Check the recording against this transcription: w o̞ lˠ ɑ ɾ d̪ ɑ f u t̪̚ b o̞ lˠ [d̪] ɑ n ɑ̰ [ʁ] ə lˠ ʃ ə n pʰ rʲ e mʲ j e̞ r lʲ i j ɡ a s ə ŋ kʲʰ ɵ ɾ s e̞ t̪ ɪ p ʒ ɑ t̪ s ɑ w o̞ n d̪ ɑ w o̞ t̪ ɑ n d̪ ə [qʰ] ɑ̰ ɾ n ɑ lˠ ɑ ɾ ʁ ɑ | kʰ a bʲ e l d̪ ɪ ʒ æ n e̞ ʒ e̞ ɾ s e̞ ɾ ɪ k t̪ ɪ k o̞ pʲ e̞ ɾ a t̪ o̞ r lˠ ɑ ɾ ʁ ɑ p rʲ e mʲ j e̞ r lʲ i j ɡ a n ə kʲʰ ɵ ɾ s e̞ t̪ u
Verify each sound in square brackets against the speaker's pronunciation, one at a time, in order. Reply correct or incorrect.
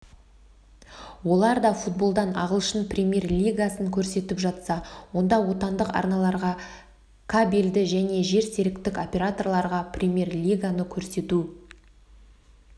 correct, correct, incorrect: q

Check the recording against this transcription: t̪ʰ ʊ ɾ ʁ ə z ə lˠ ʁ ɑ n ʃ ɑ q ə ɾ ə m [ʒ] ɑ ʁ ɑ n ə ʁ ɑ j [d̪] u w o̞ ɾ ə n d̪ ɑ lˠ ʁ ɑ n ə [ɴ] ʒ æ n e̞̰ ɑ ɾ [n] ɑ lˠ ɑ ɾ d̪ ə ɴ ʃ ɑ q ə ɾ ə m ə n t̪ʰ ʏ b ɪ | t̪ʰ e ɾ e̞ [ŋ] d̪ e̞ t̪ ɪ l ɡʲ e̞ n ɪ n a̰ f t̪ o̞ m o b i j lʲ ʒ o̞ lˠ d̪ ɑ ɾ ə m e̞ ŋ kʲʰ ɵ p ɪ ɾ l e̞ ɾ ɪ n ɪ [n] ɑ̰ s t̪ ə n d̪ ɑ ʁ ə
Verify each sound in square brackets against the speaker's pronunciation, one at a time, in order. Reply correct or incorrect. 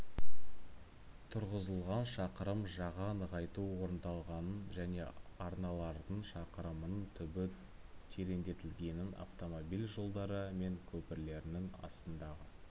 correct, incorrect: t̪, incorrect: n, correct, incorrect: n, incorrect: ŋ

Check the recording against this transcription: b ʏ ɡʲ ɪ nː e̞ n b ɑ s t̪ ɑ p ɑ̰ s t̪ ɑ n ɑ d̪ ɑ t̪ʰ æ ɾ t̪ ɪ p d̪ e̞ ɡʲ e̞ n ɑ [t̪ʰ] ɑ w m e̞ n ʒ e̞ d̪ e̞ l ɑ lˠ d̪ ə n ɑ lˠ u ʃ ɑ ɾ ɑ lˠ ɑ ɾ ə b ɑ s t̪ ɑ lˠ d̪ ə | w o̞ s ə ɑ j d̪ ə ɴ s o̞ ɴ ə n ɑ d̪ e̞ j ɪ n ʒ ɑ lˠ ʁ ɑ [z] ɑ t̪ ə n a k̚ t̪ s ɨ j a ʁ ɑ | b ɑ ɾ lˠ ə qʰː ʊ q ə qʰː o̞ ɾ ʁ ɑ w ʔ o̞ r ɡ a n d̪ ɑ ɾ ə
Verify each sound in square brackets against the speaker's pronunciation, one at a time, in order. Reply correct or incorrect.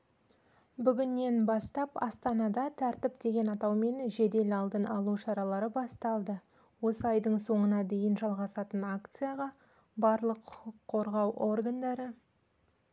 incorrect: t̪, incorrect: s

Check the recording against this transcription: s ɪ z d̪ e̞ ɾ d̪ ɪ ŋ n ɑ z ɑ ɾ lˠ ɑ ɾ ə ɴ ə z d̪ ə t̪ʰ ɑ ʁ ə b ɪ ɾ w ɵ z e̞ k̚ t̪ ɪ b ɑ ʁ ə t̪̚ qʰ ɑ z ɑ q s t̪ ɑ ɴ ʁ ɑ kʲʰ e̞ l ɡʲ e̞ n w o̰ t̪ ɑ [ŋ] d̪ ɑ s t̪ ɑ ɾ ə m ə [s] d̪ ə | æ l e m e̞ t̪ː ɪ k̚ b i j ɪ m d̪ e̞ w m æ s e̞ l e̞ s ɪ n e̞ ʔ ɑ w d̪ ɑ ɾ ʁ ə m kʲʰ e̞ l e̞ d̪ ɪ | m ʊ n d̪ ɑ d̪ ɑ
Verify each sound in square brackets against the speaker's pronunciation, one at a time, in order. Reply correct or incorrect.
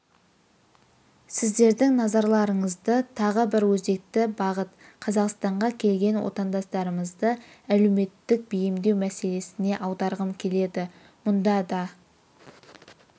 incorrect: n, incorrect: z

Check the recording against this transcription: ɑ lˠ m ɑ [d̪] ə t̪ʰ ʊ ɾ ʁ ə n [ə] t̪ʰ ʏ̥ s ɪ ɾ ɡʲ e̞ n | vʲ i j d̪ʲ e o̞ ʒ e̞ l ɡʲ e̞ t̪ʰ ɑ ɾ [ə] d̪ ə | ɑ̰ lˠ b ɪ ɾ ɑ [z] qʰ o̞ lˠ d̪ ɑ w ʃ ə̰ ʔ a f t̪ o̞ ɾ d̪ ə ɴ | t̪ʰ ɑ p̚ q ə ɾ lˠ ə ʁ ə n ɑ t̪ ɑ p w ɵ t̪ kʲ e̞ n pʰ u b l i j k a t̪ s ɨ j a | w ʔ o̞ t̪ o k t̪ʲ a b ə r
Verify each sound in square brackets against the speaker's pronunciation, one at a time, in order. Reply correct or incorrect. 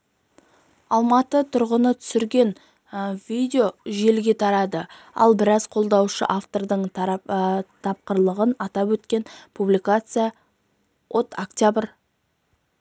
incorrect: t̪, correct, incorrect: ɑ, correct

